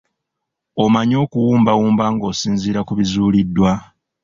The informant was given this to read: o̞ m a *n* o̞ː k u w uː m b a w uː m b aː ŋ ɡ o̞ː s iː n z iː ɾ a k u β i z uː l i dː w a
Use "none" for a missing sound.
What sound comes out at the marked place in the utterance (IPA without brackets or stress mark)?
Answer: ɲ